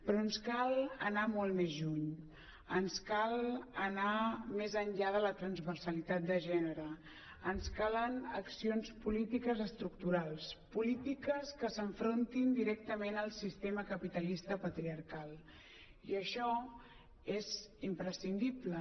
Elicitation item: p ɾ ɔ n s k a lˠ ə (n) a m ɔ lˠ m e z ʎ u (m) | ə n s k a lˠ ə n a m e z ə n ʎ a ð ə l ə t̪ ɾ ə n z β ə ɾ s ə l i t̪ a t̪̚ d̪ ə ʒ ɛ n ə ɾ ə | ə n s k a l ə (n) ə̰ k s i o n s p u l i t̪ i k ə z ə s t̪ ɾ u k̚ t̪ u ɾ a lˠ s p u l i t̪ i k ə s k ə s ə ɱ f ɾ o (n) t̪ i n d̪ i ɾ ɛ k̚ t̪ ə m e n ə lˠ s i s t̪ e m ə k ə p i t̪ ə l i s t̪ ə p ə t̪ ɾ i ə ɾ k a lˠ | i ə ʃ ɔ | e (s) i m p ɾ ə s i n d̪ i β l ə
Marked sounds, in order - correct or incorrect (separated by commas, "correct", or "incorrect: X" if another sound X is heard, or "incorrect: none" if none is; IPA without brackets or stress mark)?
correct, incorrect: ɲ, correct, correct, incorrect: z